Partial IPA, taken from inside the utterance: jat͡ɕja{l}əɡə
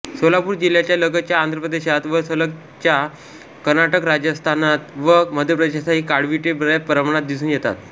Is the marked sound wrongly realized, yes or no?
no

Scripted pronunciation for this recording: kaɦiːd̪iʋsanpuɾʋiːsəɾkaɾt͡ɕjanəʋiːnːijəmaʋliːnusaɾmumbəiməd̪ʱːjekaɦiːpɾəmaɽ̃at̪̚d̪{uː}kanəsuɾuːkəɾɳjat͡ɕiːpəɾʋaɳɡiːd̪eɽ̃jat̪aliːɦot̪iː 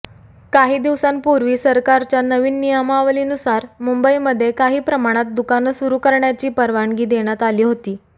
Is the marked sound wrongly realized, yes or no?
yes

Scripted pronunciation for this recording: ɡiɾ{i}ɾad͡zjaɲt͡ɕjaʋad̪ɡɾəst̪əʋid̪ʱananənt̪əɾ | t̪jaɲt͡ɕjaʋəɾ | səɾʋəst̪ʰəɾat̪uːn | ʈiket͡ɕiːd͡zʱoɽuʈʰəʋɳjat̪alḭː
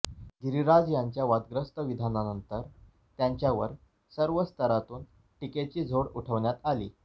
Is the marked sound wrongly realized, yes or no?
no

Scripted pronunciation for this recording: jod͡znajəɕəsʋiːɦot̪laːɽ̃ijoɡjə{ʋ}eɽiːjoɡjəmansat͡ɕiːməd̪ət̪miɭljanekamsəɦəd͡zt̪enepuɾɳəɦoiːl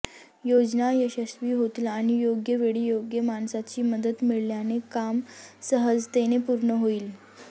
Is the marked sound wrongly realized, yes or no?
no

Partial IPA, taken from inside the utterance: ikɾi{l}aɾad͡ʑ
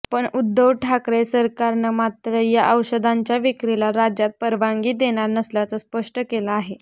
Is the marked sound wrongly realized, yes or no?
no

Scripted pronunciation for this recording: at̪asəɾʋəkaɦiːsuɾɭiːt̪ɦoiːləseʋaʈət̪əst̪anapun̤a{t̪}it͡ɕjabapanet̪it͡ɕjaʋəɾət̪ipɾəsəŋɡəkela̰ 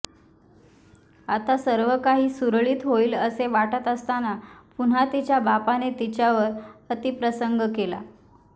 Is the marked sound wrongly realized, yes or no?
no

